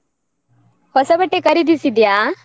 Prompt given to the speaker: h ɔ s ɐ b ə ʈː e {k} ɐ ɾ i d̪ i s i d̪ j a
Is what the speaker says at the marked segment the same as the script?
yes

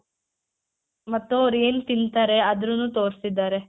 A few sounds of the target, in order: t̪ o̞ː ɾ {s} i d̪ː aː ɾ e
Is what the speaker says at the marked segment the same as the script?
yes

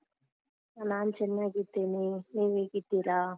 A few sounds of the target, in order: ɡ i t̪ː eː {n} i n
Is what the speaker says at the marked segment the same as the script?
yes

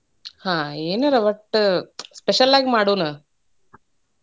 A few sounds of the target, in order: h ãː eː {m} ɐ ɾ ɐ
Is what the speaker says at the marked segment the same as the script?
no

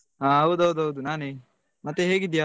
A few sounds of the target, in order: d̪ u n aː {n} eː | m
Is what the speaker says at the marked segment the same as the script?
yes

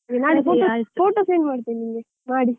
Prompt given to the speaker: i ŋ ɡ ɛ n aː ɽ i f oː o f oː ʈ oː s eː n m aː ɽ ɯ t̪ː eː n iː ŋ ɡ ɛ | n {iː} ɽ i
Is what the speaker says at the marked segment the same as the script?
no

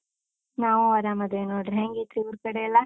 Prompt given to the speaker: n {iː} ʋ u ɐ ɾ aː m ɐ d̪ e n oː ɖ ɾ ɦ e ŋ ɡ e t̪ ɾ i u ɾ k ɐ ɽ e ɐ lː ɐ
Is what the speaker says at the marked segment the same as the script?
no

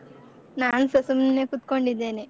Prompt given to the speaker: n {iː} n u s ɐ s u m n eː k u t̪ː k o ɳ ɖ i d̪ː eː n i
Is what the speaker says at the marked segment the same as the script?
no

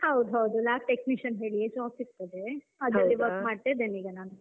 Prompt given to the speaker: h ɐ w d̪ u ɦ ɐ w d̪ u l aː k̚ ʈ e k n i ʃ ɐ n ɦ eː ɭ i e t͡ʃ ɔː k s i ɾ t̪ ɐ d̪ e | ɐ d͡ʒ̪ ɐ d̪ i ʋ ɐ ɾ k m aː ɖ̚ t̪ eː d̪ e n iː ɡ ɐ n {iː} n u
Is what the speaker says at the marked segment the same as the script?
no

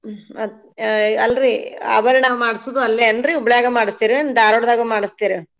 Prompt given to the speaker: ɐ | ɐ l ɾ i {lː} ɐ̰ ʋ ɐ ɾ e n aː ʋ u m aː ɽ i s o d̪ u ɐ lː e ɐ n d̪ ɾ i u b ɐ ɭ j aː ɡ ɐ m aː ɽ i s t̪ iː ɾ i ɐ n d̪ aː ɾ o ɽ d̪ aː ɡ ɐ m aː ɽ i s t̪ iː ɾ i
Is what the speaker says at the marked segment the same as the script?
no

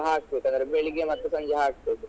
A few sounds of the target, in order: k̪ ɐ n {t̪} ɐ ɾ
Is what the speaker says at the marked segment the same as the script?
no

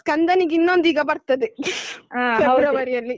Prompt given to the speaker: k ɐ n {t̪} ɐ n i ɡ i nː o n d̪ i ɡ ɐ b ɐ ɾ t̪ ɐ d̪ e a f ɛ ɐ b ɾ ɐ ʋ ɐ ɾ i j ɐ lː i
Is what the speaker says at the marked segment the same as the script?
no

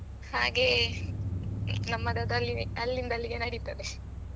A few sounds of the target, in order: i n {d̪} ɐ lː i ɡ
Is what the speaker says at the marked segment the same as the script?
yes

